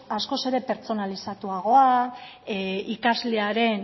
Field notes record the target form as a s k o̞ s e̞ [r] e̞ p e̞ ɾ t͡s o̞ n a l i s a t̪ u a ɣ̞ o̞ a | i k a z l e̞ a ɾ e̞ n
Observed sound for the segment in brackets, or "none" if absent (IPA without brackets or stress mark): ɾ